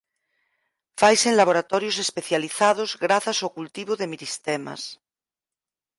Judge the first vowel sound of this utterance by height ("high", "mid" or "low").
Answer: low